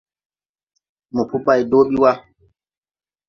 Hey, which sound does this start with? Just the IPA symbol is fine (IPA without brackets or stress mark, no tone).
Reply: m